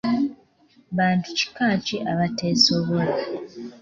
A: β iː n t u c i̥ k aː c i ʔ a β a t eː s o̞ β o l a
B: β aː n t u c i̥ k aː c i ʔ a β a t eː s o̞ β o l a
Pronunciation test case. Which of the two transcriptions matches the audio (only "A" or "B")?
B